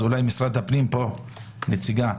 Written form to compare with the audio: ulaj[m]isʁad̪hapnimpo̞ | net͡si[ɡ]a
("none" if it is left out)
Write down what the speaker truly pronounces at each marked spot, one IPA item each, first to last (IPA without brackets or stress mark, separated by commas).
m, ɡ